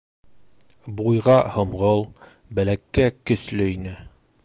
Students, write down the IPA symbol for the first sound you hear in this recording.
b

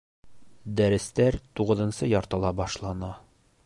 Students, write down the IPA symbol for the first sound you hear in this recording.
d̪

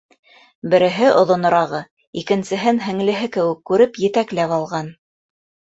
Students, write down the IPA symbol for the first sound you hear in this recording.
b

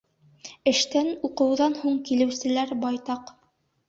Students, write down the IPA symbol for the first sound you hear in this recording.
ɘ̆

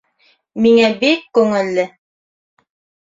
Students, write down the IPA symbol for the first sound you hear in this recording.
m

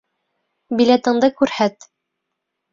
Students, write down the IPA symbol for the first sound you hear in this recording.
b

